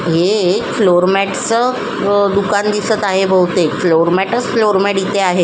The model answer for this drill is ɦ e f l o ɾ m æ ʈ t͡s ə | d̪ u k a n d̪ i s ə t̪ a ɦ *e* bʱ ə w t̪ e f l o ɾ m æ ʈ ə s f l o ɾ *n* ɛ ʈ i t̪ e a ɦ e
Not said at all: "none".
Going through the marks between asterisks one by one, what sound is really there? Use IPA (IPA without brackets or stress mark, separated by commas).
e, m